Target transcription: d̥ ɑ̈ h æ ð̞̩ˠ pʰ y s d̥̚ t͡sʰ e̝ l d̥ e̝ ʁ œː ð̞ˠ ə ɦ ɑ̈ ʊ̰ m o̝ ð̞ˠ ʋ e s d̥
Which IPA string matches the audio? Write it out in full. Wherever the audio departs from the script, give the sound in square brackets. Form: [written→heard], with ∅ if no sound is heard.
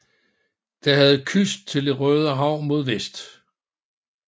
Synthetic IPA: d̥ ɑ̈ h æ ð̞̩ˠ [pʰ→kʰ] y s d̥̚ t͡sʰ e̝ l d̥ e̝ ʁ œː ð̞ˠ ə ɦ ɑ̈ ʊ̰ m o̝ ð̞ˠ ʋ e s d̥